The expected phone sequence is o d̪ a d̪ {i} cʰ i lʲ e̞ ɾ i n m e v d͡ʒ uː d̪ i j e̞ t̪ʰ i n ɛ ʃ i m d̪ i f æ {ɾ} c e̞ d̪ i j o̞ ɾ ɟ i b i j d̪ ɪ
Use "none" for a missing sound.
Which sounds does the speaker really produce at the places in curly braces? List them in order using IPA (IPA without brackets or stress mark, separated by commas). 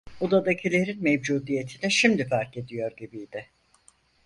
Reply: a, ɾ